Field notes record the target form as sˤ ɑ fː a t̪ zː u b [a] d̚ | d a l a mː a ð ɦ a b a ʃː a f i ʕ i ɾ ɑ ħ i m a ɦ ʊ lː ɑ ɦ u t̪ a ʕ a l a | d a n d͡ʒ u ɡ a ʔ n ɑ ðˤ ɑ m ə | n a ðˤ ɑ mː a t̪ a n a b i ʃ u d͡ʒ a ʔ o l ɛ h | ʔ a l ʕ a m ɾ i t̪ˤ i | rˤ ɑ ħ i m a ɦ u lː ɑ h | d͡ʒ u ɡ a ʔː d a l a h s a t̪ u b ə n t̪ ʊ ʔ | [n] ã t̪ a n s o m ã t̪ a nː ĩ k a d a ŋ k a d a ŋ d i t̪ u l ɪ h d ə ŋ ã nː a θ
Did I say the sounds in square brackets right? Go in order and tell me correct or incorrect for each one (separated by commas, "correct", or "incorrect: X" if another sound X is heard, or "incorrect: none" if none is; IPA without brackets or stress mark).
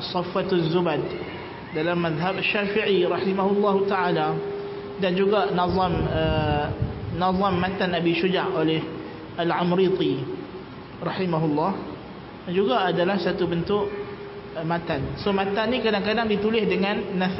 correct, incorrect: m